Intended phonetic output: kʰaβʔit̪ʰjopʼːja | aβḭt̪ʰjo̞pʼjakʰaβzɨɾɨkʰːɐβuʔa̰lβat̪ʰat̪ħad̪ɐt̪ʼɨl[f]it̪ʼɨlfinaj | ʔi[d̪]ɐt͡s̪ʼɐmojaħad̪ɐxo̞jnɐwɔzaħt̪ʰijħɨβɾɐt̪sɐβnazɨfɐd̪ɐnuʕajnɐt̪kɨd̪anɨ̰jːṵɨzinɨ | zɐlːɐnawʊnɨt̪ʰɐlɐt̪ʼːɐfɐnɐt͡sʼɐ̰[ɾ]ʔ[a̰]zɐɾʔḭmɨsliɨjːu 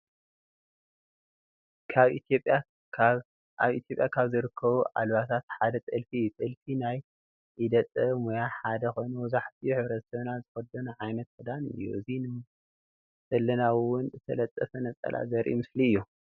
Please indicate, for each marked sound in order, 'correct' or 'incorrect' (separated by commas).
correct, correct, incorrect, correct